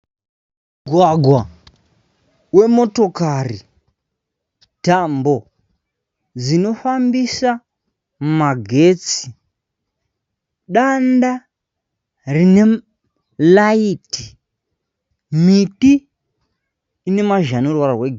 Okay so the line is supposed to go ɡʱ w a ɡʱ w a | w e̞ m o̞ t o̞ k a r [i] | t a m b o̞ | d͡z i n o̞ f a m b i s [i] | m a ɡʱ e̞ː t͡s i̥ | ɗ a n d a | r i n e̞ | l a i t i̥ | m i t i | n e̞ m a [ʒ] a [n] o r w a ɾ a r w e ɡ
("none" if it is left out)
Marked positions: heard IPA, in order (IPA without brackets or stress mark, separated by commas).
i, a, ʒ, n